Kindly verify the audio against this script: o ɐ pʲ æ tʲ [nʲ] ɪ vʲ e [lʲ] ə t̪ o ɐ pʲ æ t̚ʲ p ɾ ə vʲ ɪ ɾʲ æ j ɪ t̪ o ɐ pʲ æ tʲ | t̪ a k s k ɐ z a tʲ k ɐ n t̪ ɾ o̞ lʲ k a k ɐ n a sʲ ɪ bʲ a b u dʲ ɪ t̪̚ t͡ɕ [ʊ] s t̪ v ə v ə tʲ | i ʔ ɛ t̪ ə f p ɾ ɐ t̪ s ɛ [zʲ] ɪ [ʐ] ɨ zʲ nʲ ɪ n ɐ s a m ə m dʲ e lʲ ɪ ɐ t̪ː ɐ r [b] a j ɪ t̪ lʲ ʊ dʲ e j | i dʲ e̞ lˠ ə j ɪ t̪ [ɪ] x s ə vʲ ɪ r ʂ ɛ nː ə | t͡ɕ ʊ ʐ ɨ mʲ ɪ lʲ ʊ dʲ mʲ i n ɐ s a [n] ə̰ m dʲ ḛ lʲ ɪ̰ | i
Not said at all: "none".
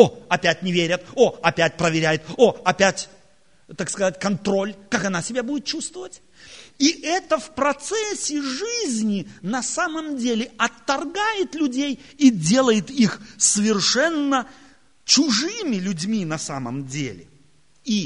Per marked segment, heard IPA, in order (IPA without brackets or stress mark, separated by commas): nʲ, ɾʲ, u, sʲ, ʐ, ɡ, i, m